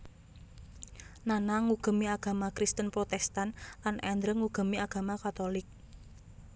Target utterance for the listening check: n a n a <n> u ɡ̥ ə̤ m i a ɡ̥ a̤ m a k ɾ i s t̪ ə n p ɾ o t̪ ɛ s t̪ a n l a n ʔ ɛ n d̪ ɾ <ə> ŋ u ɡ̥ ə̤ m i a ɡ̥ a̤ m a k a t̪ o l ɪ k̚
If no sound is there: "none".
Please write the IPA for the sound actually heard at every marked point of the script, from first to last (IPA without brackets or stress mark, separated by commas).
ŋ, ə